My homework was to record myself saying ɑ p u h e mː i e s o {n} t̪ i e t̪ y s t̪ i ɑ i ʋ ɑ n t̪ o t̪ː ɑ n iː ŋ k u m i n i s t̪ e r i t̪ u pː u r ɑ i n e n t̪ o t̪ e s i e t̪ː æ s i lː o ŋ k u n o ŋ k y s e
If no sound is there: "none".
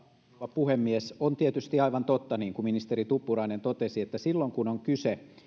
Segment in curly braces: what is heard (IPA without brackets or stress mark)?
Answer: n